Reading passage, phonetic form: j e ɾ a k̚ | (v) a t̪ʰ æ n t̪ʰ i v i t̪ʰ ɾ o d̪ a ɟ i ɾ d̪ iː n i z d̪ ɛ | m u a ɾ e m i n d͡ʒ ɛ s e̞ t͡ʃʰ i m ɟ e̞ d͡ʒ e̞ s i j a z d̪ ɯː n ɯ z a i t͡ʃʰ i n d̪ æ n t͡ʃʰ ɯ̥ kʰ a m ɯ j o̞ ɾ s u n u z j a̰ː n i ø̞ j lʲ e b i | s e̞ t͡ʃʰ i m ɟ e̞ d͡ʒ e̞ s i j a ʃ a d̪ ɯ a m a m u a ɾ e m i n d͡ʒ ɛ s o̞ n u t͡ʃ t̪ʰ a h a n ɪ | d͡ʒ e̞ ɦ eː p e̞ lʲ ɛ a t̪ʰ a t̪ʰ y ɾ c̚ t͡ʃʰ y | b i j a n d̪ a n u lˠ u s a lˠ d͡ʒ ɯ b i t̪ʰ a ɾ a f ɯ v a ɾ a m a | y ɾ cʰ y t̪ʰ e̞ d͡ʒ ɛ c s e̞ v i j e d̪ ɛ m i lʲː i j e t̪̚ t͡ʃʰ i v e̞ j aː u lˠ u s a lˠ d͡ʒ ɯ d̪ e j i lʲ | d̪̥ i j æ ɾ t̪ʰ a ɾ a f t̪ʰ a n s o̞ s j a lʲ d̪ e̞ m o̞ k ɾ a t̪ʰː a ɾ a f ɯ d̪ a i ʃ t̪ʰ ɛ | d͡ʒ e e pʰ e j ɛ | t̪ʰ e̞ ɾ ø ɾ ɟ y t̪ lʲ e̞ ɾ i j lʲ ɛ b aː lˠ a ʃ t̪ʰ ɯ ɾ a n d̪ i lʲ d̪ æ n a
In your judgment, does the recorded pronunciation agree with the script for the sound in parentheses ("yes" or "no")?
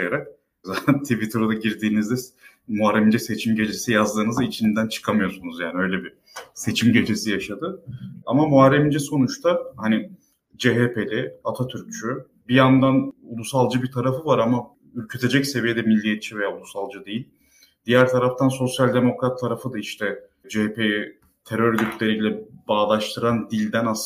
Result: no